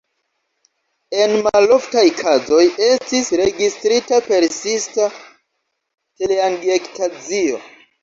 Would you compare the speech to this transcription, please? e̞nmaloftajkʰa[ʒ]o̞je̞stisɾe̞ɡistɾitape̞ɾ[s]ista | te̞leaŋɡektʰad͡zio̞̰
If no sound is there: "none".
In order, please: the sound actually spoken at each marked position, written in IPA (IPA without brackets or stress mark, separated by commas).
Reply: z, s